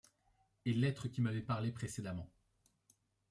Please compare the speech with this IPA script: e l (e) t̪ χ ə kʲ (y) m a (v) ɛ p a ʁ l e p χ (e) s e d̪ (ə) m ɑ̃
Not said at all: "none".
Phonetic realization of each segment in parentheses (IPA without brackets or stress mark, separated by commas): ɛ, i, v, e, a